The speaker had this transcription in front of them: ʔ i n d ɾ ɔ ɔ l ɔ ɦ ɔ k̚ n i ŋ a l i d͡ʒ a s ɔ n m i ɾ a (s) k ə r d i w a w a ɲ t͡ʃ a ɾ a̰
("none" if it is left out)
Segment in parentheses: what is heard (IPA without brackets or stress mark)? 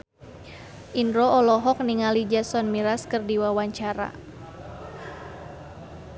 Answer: s